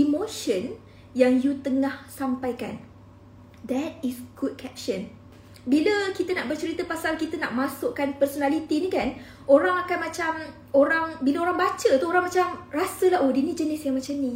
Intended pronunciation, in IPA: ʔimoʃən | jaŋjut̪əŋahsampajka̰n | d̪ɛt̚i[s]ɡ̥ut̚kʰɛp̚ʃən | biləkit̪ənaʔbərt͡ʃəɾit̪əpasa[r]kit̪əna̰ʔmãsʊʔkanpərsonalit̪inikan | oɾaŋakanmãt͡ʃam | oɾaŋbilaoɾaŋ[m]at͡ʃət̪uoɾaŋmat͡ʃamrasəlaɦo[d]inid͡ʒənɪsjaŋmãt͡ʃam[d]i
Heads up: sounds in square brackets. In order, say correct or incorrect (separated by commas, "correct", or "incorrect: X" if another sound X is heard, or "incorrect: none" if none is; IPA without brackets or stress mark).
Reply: correct, incorrect: l, incorrect: b, correct, incorrect: n